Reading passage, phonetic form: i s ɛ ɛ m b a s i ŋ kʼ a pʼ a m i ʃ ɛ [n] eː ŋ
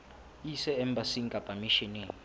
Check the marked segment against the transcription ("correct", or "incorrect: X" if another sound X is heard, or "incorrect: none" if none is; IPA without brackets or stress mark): correct